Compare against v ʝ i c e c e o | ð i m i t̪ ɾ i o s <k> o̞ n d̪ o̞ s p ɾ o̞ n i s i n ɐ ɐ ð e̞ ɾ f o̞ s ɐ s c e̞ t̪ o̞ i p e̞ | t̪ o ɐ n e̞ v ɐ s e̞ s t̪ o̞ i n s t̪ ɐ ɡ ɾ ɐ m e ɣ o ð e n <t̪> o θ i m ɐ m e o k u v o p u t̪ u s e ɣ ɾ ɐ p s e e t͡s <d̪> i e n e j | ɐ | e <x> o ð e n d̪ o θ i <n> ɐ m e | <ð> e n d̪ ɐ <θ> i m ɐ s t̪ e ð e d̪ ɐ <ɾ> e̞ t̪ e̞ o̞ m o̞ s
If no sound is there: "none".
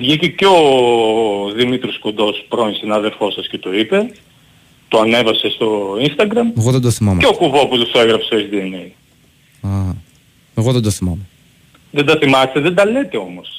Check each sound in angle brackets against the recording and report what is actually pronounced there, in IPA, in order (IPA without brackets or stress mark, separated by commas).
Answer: k, d̪, d̪, ɣ, m, ð, θ, l